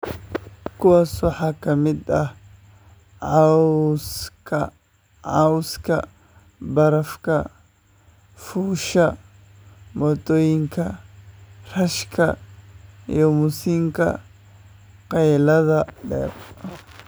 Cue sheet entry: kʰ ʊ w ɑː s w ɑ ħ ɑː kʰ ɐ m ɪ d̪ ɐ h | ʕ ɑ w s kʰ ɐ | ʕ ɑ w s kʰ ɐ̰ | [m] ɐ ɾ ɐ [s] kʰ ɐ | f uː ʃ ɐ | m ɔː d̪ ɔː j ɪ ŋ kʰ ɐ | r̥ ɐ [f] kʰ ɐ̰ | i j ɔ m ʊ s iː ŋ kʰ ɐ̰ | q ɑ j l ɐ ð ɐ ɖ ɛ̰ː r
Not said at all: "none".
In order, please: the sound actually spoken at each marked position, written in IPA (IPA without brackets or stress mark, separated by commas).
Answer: b, f, ʃ